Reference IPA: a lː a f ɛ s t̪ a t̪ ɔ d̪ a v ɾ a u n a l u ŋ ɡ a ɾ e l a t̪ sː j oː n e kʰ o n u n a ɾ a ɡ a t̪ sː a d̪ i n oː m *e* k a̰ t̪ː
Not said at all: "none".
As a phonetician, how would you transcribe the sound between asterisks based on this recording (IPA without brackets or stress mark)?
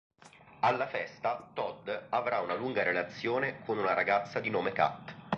e